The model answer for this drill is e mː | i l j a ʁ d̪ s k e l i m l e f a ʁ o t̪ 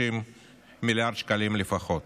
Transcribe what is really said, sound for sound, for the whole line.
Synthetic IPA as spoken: i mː | i l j a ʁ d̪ ʃ k a l i m l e f a χ o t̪